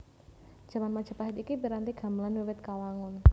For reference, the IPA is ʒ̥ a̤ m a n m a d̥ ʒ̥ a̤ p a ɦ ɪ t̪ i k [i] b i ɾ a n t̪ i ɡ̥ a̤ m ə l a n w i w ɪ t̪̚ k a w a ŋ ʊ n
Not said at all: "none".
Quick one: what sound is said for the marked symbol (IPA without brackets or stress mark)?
i